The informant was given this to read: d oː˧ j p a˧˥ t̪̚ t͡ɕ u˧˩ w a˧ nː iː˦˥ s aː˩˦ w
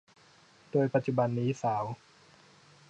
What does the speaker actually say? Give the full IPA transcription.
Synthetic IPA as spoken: d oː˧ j p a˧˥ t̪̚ t͡ɕ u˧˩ b a˧ nː iː˦˥ s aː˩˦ w